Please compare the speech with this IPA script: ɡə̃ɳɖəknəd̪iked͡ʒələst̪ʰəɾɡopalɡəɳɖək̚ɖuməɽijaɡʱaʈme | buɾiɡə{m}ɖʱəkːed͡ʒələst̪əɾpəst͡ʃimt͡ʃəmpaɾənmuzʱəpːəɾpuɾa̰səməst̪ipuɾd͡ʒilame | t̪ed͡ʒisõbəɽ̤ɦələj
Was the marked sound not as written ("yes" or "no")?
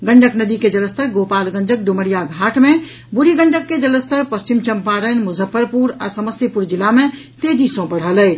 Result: yes